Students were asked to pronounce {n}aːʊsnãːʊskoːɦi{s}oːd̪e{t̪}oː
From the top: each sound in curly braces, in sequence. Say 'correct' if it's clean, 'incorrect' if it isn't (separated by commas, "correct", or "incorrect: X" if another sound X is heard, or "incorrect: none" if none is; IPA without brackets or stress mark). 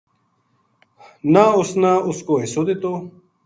correct, correct, correct